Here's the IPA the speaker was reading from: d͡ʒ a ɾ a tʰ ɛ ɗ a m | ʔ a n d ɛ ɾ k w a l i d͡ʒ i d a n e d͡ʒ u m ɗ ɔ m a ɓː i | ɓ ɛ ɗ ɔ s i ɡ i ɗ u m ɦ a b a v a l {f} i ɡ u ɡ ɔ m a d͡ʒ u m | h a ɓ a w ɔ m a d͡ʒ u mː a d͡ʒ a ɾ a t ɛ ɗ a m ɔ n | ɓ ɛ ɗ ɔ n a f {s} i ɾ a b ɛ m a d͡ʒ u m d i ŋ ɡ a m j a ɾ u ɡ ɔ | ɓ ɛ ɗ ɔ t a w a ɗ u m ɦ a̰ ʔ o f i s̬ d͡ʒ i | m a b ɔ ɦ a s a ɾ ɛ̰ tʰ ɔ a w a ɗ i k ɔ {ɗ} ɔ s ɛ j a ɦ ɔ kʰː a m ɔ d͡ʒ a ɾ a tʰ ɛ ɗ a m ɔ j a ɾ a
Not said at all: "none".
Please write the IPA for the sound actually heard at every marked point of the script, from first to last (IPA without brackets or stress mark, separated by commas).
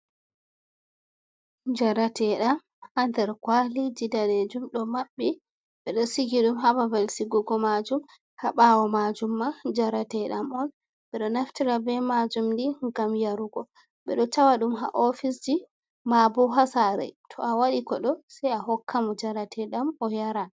s, t, ɗ